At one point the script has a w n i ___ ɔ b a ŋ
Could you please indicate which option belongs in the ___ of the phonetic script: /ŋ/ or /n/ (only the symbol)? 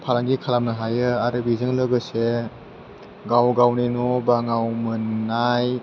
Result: n